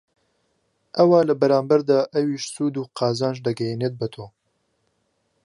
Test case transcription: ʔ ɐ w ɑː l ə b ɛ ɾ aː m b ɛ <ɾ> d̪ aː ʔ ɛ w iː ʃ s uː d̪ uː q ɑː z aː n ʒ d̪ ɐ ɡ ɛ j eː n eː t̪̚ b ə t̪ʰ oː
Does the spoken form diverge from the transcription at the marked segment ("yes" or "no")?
no